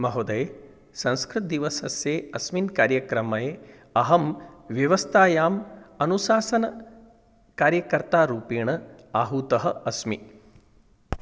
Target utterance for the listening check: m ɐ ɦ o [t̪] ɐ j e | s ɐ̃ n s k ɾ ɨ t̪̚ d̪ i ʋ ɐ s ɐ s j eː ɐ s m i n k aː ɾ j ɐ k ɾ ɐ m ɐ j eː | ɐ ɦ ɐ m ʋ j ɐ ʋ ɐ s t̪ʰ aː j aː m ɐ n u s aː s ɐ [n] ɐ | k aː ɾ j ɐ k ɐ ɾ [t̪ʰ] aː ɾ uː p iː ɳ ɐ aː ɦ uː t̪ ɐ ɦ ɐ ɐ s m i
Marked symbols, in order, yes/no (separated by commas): no, yes, no